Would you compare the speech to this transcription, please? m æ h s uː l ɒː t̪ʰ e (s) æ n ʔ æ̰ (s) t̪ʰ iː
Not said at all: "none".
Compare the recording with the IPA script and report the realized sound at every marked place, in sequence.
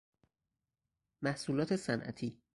s, none

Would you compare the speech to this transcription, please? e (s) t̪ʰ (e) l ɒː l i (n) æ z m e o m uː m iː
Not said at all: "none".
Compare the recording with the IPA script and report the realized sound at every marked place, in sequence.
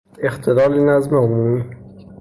x, e, n

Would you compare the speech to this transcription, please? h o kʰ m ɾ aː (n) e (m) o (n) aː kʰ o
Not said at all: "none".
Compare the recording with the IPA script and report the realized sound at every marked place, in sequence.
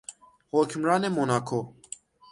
n, m, n

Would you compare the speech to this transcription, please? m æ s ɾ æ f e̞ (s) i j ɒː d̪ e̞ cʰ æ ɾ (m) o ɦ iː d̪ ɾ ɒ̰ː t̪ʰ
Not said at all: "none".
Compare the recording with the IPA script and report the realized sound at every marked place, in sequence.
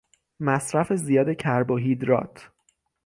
z, b

